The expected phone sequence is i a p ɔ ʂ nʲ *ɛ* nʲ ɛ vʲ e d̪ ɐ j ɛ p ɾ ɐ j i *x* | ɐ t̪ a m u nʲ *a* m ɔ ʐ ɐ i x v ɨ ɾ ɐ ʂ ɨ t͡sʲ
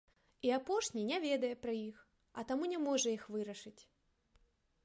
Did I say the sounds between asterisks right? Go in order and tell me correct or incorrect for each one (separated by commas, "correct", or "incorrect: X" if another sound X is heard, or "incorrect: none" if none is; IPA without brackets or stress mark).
incorrect: i, correct, incorrect: ɛ